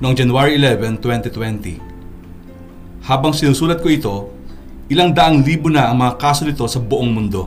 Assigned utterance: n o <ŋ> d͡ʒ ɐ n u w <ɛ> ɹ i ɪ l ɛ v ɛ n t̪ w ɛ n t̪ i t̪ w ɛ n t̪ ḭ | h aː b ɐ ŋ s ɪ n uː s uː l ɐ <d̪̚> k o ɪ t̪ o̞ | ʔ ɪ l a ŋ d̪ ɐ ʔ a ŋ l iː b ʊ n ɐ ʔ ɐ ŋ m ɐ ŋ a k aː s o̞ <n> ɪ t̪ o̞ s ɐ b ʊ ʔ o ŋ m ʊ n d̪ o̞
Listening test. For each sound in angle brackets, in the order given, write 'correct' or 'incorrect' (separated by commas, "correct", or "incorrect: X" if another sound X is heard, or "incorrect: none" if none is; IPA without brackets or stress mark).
correct, incorrect: a, incorrect: t̪̚, correct